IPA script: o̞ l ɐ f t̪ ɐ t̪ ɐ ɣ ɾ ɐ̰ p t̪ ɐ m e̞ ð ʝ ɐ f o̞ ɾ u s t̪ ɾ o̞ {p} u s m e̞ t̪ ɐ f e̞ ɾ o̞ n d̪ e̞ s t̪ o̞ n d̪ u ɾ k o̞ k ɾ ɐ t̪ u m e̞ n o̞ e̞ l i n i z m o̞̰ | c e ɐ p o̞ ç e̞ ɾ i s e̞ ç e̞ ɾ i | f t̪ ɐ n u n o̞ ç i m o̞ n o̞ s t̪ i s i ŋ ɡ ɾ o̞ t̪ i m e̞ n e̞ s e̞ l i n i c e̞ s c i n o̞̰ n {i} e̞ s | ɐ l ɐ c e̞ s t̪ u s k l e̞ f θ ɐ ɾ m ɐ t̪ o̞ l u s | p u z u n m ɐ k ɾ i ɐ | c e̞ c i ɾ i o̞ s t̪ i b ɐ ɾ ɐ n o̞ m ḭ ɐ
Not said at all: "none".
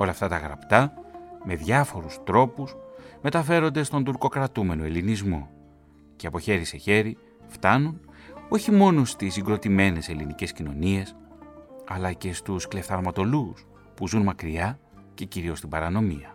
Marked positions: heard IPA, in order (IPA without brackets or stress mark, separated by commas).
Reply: p, i